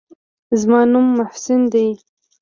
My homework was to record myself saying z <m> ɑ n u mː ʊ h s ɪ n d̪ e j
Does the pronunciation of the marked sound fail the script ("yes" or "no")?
no